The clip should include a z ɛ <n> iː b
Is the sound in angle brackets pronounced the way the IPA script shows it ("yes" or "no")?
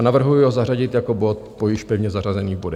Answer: yes